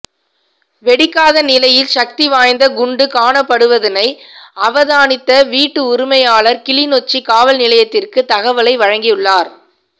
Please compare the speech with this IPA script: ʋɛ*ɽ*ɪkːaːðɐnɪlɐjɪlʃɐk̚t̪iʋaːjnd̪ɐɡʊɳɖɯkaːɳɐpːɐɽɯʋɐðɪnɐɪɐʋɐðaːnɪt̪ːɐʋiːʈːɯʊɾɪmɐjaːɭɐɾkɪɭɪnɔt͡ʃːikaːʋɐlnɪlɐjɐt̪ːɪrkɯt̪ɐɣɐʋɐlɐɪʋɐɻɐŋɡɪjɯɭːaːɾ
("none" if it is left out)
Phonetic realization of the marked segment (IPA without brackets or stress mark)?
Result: ɽ